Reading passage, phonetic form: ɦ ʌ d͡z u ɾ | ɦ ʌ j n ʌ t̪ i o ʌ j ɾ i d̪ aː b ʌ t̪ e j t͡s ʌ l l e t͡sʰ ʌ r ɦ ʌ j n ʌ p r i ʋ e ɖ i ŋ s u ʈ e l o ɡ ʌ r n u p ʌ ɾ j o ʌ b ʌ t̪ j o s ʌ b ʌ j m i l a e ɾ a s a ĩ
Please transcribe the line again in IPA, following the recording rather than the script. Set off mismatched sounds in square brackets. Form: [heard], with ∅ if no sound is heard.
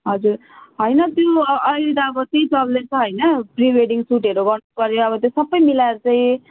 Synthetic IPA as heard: ɦ ʌ d͡z u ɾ | ɦ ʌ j n ʌ t̪ [j] o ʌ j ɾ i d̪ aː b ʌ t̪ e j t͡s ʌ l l e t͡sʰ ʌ [∅] ɦ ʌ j n ʌ p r i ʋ e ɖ i ŋ s u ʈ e [ɾ] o ɡ ʌ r n u p ʌ ɾ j o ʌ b ʌ t̪ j o s ʌ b ʌ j m i l a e ɾ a [t͡s] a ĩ